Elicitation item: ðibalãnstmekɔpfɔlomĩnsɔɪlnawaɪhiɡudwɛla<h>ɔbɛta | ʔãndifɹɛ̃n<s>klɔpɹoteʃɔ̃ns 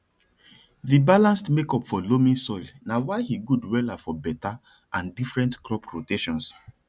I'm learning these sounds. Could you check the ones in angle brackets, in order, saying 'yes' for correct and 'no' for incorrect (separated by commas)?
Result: no, no